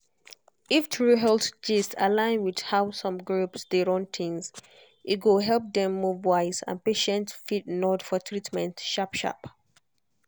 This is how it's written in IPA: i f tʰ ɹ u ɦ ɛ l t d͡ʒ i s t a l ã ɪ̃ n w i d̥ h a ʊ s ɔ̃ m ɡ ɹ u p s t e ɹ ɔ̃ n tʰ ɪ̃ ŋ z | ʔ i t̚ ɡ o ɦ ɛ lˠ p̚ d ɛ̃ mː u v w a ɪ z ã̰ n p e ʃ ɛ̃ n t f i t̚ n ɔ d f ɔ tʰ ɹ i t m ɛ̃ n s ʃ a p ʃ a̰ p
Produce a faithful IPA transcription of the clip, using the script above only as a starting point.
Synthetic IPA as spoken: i f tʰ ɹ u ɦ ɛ l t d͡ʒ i s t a l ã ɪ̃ n w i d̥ h a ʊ s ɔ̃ m ɡ ɹ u p s d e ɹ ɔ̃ n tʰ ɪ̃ ŋ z | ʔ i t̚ ɡ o ɦ ɛ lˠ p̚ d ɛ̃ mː u v w a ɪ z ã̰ n p e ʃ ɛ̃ n t f i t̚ n ɔ d f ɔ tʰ ɹ i t m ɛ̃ n t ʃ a p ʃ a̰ p